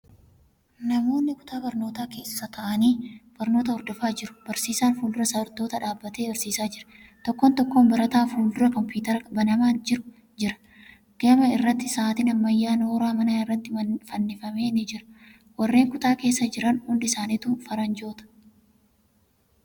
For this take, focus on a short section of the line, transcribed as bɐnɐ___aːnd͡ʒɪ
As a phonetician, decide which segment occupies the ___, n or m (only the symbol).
m